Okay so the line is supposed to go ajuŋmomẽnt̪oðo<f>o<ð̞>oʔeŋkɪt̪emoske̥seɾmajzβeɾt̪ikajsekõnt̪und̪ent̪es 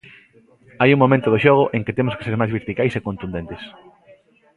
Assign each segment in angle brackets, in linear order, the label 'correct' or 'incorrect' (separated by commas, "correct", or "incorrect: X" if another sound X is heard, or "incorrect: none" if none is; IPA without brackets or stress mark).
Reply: incorrect: ʃ, incorrect: ɣ̞